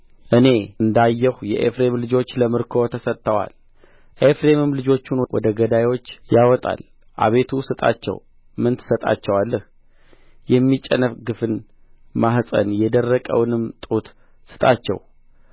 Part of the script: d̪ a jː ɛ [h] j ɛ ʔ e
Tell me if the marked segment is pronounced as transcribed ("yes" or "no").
yes